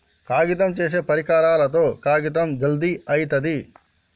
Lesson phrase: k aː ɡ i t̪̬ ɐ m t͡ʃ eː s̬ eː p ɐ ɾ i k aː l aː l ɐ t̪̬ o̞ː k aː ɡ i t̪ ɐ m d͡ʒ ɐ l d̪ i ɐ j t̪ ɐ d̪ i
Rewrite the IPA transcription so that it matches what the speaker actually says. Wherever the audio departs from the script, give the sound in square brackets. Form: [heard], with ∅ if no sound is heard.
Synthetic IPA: k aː ɡ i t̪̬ ɐ m t͡ʃ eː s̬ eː p ɐ ɾ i k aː [ɾ] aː l ɐ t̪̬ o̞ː k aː ɡ i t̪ ɐ m d͡ʒ ɐ l d̪ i ɐ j t̪ ɐ d̪ i